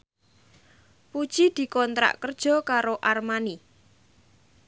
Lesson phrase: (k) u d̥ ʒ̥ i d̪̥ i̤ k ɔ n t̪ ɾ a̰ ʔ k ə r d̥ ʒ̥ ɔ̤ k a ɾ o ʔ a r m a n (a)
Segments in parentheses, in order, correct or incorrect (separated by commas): incorrect, incorrect